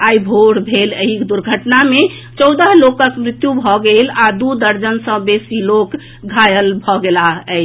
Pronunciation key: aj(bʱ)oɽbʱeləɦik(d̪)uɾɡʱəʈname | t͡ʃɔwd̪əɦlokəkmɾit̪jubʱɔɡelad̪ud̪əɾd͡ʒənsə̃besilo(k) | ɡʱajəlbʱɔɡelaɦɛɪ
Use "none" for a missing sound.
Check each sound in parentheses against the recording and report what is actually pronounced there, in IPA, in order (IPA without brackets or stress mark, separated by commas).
bʱ, d̪, k